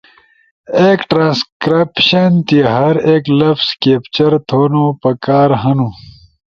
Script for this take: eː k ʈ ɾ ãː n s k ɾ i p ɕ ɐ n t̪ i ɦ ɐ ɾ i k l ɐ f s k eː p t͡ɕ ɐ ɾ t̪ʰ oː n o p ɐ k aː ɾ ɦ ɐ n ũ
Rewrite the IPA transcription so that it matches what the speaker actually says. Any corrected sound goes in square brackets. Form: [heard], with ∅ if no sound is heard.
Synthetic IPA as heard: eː k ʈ ɾ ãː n s k ɾ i p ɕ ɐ n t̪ i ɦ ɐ ɾ [e] k l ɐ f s k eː p t͡ɕ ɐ ɾ t̪ʰ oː n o p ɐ k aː ɾ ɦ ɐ n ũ